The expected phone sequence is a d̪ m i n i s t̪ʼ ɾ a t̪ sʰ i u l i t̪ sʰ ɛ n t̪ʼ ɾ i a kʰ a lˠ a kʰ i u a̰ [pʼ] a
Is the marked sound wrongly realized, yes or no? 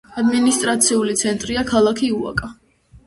yes